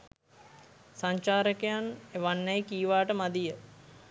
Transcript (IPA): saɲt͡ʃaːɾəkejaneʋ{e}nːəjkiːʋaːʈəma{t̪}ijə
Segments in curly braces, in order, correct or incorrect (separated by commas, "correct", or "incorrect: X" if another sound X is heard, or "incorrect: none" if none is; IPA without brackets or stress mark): incorrect: a, incorrect: d̪